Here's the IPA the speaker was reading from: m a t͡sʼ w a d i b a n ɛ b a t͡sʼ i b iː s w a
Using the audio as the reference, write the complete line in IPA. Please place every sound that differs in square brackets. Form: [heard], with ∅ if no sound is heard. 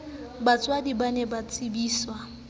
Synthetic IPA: [b] a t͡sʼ w a d i b a n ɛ b a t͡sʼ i b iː s w a